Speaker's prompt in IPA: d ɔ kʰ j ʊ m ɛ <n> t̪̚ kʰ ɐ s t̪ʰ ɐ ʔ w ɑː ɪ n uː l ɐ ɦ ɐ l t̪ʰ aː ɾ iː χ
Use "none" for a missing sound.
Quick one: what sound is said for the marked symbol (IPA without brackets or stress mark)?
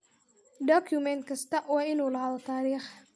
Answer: n